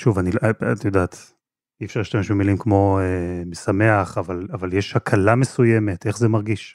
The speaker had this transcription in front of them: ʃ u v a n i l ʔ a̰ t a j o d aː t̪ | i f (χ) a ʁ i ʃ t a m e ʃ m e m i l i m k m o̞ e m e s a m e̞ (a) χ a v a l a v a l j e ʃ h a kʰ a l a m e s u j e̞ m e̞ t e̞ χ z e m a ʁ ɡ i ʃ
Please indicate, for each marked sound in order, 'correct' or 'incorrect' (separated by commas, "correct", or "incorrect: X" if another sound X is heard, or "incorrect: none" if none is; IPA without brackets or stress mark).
incorrect: ʃ, correct